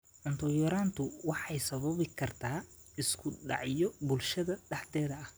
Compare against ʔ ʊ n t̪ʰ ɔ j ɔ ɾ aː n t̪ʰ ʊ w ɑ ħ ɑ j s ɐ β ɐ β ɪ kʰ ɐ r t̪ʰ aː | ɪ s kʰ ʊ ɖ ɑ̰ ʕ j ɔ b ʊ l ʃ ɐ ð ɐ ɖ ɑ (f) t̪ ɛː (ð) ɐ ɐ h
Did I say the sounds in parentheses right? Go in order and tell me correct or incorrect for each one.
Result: incorrect: ħ, correct

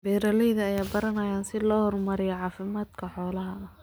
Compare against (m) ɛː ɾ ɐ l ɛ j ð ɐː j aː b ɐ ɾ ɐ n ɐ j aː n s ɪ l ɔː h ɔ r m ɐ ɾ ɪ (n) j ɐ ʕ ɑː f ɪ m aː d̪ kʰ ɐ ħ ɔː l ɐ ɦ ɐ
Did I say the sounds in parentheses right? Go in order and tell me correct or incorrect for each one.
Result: incorrect: b, incorrect: none

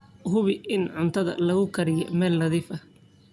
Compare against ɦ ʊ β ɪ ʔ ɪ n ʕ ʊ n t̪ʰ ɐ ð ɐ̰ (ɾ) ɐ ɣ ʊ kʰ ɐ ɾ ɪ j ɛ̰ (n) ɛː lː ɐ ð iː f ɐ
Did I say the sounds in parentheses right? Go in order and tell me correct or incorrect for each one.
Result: incorrect: l, incorrect: m

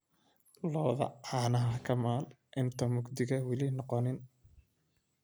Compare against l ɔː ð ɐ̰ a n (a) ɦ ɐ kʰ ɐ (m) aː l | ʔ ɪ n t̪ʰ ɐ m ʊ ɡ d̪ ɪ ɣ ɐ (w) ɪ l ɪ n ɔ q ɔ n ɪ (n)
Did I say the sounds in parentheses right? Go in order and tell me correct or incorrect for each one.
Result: incorrect: ɐ, correct, correct, correct

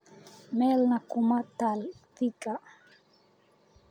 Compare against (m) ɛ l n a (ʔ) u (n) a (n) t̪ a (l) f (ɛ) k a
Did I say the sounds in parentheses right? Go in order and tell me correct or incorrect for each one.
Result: correct, incorrect: k, incorrect: m, incorrect: none, correct, incorrect: i

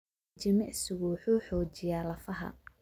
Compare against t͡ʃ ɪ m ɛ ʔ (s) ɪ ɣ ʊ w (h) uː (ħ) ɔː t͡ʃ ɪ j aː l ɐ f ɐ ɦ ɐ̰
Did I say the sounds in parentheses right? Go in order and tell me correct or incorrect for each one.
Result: correct, incorrect: ħ, correct

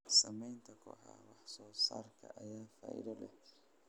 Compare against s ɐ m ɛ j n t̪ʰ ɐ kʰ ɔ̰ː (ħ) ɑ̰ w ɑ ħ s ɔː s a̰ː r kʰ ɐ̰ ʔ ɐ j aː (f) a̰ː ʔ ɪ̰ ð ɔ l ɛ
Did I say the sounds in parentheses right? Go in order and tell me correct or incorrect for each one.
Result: correct, correct

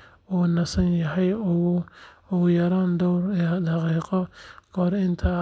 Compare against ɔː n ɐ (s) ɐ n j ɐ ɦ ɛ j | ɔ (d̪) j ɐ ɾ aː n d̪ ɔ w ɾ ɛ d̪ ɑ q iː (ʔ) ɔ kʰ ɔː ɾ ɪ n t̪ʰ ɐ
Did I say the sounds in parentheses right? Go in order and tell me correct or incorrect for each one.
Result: correct, incorrect: none, incorrect: q

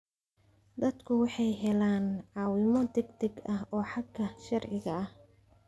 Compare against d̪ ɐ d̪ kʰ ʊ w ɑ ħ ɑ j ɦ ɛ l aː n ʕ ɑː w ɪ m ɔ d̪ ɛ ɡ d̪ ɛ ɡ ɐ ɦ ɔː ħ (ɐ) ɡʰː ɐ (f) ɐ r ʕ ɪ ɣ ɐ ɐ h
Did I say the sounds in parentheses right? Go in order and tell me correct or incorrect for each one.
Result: incorrect: ɑ, incorrect: ʃ

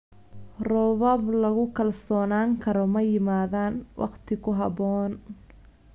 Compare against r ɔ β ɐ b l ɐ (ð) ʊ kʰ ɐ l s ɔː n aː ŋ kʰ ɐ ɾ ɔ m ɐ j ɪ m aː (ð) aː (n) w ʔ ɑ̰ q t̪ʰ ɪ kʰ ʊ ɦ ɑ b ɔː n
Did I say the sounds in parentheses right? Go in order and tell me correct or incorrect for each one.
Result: incorrect: ɣ, correct, correct

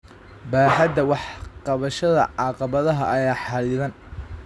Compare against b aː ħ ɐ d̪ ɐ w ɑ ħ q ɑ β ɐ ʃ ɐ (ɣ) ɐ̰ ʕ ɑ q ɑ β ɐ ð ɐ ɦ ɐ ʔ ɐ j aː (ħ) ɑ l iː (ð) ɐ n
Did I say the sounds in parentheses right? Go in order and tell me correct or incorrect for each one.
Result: incorrect: ð, correct, correct

